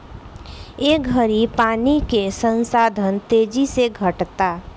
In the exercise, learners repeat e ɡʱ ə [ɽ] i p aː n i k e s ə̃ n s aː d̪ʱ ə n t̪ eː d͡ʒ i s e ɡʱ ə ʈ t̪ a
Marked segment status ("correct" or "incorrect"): incorrect